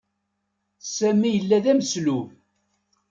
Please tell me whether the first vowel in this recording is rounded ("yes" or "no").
no